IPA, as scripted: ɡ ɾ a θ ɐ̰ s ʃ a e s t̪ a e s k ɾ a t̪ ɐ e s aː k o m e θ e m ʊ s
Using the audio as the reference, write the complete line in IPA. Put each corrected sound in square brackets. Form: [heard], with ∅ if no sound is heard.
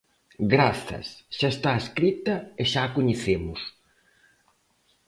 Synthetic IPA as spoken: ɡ ɾ a θ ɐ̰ s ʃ a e s t̪ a e s k ɾ [i] t̪ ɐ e [ʃ] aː k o [ɲ] e θ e m ʊ s